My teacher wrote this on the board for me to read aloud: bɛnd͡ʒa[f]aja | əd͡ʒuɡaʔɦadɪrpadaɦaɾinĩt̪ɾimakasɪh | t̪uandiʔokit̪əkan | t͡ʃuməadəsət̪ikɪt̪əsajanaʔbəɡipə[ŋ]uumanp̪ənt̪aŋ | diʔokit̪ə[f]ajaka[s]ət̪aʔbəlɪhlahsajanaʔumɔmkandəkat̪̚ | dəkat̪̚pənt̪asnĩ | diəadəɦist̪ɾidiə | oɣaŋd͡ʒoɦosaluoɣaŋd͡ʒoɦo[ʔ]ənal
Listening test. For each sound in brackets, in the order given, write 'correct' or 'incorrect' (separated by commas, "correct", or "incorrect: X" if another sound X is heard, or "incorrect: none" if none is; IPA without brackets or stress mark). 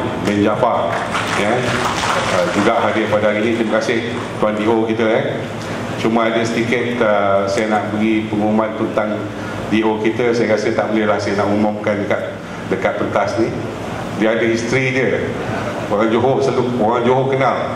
correct, correct, incorrect: s, correct, incorrect: k